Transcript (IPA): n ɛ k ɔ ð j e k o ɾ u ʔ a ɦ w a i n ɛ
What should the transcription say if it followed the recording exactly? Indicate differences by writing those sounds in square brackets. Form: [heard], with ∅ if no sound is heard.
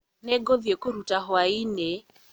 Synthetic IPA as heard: n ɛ [ɡ] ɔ ð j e k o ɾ u [t] a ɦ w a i n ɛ